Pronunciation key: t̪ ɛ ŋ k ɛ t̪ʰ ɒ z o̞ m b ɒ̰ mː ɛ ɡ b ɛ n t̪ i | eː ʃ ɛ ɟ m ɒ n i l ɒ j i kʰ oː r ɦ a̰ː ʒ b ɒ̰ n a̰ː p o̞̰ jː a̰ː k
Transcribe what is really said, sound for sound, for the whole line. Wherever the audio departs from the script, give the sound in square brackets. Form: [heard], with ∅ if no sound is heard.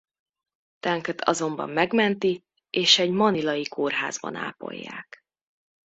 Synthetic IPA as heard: t̪ ɛ ŋ k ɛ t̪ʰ ɒ z o̞ m b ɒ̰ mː ɛ ɡ [m] ɛ n t̪ i | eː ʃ ɛ ɟ m ɒ n i l ɒ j i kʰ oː r ɦ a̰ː [z] b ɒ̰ n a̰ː p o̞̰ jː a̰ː k